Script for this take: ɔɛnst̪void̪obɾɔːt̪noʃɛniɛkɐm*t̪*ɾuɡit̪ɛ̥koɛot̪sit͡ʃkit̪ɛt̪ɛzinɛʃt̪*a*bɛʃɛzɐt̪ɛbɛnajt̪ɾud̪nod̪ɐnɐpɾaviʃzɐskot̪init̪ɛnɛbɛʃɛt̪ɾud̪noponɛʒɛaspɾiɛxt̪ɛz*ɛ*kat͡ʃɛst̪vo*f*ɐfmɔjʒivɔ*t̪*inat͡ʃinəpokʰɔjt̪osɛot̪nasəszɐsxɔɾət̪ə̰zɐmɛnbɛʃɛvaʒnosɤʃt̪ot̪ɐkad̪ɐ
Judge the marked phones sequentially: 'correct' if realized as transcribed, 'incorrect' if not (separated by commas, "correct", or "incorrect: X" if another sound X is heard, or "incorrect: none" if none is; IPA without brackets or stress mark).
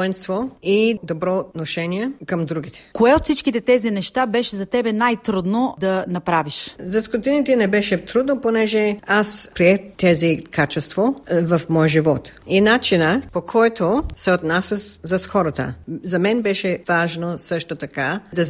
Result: incorrect: d̪, correct, incorrect: i, incorrect: v, correct